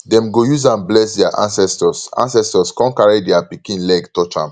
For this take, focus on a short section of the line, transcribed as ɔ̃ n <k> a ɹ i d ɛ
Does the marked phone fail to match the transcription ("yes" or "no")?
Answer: no